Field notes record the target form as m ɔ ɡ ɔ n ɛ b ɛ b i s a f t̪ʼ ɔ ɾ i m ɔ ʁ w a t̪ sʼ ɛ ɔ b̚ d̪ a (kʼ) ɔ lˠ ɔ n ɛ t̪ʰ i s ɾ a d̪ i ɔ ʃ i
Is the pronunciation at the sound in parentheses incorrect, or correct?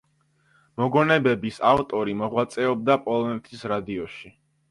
incorrect